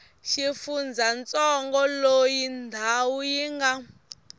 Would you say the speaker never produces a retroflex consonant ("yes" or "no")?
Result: yes